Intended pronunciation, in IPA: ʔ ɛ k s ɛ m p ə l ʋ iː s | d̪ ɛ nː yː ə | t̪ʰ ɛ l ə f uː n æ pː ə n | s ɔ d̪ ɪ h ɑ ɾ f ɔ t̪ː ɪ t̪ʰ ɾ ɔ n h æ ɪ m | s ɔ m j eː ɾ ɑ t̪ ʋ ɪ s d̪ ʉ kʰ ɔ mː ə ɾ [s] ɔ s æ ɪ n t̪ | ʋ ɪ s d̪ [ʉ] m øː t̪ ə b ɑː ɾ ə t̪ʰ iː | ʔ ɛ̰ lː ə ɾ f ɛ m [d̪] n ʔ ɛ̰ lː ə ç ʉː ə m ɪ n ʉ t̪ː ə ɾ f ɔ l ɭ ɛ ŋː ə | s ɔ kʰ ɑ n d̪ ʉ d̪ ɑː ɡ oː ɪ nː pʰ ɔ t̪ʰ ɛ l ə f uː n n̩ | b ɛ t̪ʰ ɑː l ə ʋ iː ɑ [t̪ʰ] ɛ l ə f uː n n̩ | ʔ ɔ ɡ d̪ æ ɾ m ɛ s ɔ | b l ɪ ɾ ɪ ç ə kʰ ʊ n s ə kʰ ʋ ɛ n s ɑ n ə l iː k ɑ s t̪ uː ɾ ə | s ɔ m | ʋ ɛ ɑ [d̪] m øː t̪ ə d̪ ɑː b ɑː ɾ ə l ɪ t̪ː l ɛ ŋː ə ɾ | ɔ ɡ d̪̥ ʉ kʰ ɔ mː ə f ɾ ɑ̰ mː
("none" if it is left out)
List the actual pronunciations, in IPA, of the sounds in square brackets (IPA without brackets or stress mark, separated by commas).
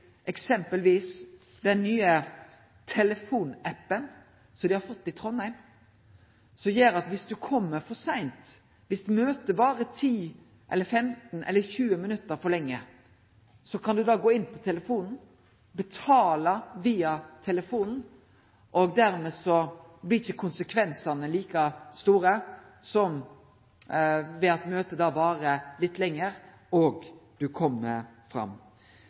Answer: f, ʉ, t̪, t̪ʰ, t̪